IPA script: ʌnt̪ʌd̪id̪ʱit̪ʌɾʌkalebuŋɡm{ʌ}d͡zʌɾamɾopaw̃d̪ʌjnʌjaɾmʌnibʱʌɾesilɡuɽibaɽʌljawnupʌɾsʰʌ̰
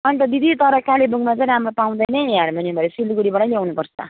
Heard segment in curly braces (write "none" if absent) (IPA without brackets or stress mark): a